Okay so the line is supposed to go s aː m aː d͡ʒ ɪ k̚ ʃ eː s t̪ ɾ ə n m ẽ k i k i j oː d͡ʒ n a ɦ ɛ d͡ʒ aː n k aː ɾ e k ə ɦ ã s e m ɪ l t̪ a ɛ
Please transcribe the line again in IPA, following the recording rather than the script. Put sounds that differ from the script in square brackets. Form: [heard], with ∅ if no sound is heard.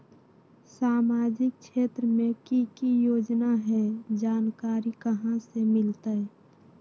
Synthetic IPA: s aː m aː d͡ʒ ɪ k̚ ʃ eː [∅] t̪ ɾ ə [∅] m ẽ k i k i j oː d͡ʒ n a ɦ ɛ d͡ʒ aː n k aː ɾ [i] k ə ɦ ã s e m ɪ l t̪ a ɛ